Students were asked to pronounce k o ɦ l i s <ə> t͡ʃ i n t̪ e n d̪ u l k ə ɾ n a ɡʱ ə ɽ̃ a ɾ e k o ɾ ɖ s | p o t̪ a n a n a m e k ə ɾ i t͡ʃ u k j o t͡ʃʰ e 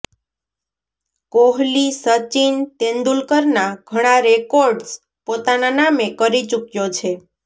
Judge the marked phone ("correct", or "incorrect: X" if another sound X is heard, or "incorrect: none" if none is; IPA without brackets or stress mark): correct